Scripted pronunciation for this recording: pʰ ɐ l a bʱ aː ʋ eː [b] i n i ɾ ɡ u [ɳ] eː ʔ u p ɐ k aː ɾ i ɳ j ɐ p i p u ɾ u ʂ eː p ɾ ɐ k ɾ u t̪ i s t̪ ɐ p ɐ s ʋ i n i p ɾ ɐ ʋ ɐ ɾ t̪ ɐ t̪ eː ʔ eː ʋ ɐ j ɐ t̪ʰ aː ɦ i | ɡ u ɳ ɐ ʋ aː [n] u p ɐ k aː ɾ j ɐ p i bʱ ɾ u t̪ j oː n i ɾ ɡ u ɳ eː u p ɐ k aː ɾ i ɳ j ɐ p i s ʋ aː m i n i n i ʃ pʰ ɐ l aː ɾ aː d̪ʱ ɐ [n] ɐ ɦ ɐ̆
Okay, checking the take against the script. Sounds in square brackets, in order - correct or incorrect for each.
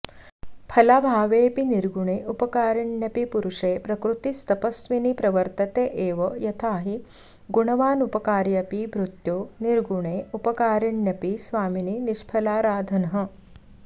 incorrect: p, correct, correct, correct

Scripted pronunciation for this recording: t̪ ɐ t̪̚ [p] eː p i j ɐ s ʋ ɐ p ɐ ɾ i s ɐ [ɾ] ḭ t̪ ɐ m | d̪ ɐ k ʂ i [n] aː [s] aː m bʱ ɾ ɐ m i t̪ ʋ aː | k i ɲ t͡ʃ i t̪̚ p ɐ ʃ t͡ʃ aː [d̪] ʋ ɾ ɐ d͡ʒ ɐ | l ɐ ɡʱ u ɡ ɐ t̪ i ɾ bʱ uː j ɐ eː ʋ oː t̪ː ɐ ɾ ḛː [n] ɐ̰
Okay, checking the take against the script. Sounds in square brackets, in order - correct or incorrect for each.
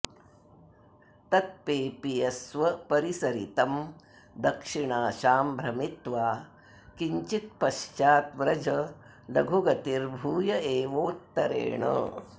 correct, correct, incorrect: ɳ, incorrect: ʃ, incorrect: t̪, incorrect: ɳ

